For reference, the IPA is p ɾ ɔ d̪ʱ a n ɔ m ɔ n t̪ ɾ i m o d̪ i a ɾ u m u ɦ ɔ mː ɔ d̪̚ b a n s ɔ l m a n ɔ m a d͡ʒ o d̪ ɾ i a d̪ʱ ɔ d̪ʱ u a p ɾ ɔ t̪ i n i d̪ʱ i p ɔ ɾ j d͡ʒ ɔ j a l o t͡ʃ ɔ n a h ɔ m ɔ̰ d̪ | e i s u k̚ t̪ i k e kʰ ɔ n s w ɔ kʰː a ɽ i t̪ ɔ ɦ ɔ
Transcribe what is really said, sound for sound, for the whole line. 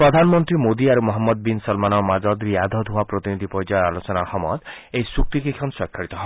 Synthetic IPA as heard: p ɾ ɔ d̪ʱ a n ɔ m ɔ n t̪ ɾ i m o d̪ i a ɾ u m ɔ ɦ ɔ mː ɔ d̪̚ b i n s ɔ l m a n ɔ m a d͡ʒ ɔ d̪ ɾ i a d̪ʱ ɔ d̪ʱ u a p ɾ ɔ t̪ i n i d̪ʱ i p ɔ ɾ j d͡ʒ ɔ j a l o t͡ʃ ɔ n a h ɔ m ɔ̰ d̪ | e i s u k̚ t̪ i k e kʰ ɔ n s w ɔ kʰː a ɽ i t̪ ɔ ɦ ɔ